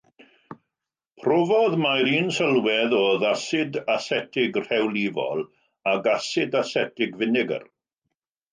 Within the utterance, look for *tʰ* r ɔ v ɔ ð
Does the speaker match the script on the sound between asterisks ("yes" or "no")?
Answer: no